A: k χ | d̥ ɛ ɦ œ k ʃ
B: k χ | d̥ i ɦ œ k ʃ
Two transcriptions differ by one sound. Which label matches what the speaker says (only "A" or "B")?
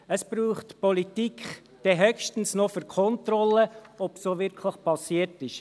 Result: A